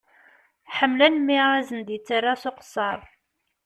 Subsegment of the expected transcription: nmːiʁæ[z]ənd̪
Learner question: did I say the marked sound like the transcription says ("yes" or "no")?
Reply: yes